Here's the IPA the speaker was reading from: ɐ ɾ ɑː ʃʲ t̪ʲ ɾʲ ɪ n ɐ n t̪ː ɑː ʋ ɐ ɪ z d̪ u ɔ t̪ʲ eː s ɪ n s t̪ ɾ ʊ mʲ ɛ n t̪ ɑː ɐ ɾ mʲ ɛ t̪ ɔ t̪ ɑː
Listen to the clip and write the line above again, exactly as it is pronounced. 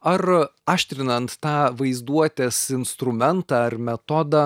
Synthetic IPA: ɐ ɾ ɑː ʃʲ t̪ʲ ɾʲ ɪ n ɐ n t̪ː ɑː ʋ ɐ ɪ z d̪ u ɔ t̪ʲ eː s ɪ n s t̪ ɾ ʊ mʲ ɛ n t̪ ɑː ɐ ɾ mʲ ɛ t̪ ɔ d̪ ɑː